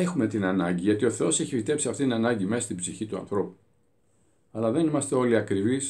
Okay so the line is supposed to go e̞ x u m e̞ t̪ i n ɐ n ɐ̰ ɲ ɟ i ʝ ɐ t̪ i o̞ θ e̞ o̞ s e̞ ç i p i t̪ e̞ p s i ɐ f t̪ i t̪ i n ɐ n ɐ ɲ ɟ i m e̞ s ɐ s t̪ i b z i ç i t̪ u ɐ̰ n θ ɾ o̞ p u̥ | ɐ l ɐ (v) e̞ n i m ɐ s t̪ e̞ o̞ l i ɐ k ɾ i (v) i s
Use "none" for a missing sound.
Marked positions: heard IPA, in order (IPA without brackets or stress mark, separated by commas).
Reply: ð, v